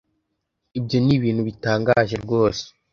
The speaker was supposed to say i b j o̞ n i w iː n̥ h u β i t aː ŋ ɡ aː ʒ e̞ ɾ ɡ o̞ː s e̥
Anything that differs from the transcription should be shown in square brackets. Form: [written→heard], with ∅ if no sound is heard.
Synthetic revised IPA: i b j o̞ n i [w→β] iː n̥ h u β i t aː ŋ ɡ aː ʒ e̞ ɾ ɡ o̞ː s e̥